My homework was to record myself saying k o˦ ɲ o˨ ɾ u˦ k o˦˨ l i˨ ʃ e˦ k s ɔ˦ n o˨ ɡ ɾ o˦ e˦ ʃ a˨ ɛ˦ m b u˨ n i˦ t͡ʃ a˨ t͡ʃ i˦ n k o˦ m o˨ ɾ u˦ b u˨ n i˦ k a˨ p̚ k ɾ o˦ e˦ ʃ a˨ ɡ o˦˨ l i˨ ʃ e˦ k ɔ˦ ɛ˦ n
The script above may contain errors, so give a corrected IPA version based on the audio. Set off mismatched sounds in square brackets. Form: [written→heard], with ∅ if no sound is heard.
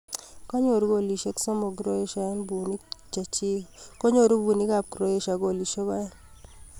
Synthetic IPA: k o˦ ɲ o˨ ɾ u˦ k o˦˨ l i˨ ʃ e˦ k s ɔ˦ [n→m] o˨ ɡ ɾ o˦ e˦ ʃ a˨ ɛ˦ [m→n] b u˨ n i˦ t͡ʃ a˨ t͡ʃ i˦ [n→∅] k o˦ [m→ɲ] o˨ ɾ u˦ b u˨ n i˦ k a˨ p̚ k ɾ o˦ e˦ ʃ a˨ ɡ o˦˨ l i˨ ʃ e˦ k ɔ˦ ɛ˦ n